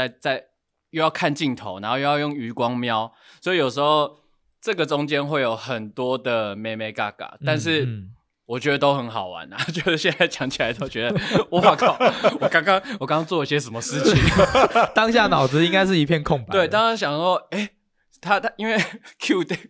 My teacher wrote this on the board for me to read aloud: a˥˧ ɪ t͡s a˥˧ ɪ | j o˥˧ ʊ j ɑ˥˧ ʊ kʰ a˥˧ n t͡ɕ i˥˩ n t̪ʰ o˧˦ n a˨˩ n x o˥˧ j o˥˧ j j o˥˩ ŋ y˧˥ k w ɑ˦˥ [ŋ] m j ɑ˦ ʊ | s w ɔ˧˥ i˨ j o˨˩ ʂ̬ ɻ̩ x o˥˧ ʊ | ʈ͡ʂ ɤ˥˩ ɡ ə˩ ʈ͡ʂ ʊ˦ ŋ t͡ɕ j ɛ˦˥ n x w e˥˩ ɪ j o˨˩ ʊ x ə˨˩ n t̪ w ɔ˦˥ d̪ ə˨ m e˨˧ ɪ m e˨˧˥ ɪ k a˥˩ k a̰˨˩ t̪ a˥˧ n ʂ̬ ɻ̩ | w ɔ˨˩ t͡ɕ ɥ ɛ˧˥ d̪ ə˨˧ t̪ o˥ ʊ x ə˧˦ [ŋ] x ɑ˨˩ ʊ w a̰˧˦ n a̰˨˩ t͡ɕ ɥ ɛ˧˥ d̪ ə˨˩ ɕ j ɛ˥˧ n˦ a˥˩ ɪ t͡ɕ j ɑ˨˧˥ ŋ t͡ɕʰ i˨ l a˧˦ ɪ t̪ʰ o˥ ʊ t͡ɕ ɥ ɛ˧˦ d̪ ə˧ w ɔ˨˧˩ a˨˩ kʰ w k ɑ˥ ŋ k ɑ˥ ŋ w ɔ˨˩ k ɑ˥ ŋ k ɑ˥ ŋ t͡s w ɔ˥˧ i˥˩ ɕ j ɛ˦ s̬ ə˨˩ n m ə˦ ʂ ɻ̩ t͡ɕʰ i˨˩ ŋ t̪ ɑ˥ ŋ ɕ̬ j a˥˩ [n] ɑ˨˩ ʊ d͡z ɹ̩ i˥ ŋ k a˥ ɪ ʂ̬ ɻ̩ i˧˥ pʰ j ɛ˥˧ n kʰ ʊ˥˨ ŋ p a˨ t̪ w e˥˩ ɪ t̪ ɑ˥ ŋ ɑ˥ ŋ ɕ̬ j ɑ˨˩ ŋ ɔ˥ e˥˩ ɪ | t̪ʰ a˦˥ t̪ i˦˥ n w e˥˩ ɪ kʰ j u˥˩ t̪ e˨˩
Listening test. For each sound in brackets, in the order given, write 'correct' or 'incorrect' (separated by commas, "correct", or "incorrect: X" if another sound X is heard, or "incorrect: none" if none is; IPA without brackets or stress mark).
correct, incorrect: n, correct